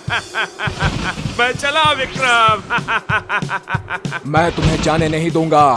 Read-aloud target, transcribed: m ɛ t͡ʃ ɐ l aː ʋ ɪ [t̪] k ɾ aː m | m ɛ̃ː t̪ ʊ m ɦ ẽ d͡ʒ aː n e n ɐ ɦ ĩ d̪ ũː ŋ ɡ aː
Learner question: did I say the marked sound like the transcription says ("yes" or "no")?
no